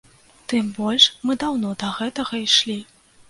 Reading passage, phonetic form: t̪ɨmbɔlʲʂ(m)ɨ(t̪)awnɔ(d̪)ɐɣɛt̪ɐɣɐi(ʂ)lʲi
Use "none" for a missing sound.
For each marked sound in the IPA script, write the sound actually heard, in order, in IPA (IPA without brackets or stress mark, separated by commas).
m, d̪, d̪, ʂ